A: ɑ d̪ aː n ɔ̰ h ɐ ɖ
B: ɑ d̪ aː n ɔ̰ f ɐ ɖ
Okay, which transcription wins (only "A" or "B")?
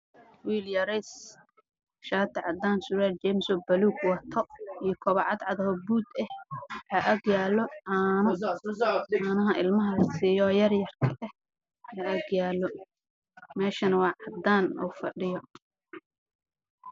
B